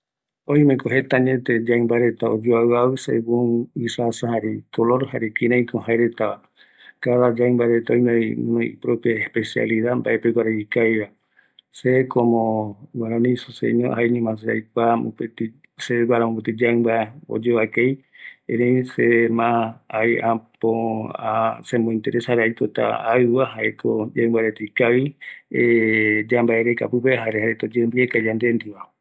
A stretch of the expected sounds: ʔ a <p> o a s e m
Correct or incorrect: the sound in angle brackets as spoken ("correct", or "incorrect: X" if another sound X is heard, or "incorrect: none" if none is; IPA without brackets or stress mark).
correct